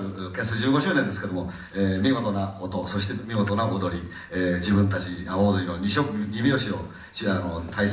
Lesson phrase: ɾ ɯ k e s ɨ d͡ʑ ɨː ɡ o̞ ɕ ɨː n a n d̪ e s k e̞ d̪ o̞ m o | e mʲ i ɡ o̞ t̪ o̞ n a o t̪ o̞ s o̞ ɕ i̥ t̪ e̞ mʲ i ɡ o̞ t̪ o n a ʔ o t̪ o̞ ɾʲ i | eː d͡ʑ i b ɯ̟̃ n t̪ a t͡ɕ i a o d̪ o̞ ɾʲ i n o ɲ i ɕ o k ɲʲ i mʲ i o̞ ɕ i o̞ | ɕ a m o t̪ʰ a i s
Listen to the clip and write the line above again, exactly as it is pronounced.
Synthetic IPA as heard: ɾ ɯ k e s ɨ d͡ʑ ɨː ɡ o̞ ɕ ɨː n e n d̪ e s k e̞ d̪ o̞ m o | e mʲ i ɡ o̞ t̪ o̞ n a o t̪ o̞ s o̞ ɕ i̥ t̪ e̞ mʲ i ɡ o̞ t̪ o n a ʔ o d̪ o̞ ɾʲ i | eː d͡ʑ i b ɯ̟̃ n t̪ a t͡ɕ i a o d̪ o̞ ɾʲ i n o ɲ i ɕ o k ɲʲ i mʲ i o̞ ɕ i o̞ | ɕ a n o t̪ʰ a i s

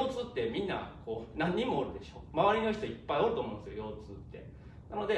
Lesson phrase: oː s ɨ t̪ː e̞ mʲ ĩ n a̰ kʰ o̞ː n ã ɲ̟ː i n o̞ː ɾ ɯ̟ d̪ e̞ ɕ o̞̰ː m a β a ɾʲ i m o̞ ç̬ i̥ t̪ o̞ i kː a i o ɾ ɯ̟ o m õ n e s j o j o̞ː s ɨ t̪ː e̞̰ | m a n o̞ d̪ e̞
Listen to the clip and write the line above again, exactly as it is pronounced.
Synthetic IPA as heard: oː t͡s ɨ t̪ː e̞ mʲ ĩ nː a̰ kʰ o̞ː n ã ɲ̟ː i m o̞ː ɾ ɯ̟ d̪ e̞ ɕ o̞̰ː m a β a ɾʲ i n o̞ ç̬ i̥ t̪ o̞ i pː a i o ɾ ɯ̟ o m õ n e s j o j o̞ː t͡s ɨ t̪ː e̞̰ | n a n o̞ d̪ e̞

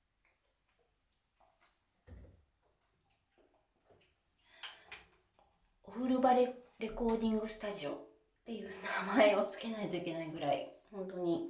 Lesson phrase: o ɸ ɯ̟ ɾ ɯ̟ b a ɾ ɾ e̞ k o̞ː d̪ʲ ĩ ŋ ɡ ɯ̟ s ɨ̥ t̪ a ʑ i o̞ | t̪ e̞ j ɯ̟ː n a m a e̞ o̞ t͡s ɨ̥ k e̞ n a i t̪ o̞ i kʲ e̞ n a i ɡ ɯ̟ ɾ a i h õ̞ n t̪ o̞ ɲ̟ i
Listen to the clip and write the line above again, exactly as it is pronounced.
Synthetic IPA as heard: o ɸ ɯ̟ ɾ ɯ̟ b a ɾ ɾ e̞ k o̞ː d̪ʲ ĩ ŋ ɡ ɯ̟ s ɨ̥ t̪ a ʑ i o̞ | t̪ e̞ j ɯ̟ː n a m a e̞ o̞ t͡s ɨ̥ k e̞ n a i t̪ o̞ i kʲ e̞ n a i ɡ ɯ̟ ɾ a i h õ̞ n t̪ o̞ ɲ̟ i

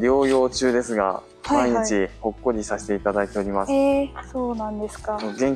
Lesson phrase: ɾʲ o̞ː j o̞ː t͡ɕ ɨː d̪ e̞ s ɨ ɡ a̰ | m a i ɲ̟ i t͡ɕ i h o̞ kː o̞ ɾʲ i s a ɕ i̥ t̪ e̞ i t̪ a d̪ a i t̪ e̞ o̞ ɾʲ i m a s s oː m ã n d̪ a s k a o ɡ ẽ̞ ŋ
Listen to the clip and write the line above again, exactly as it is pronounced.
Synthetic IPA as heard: ɾʲ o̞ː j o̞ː t͡ɕ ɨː d̪ e̞ s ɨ ɡ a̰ | m a i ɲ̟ i t͡ɕ i h o̞ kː o̞ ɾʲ i s a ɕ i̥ t̪ e̞ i t̪ a d̪ a i t̪ e̞ o̞ ɾʲ i m a s s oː n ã n d̪ e s k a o ɡ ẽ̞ ŋ

